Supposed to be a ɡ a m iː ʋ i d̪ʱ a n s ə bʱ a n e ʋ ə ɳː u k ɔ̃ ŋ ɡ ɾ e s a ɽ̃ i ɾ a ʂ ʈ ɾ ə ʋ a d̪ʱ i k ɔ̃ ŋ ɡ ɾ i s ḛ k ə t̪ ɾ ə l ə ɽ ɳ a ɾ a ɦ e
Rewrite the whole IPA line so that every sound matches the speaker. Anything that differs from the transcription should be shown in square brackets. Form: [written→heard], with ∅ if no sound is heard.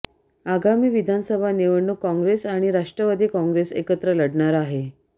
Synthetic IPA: a ɡ a m iː ʋ i d̪ʱ a n s ə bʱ a n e ʋ ə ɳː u k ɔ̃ ŋ ɡ ɾ e s a ɽ̃ i ɾ a ʂ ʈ ɾ ə ʋ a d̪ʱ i k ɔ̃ ŋ ɡ ɾ [i→e] s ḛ k ə t̪ ɾ ə l ə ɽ ɳ a ɾ a ɦ e